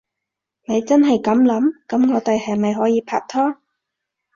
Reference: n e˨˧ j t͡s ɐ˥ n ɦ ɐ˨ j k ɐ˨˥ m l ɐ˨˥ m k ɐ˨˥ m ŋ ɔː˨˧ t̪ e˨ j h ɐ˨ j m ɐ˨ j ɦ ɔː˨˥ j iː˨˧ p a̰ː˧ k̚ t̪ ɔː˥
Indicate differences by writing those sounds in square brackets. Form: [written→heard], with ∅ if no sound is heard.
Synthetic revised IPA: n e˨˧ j t͡s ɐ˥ n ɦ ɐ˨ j k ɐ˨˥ m l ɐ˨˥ m k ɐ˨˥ m ŋ ɔː˨˧ t̪ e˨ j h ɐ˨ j m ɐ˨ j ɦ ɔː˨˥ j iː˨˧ [p→pʰ] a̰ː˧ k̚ [t̪→t̪ʰ] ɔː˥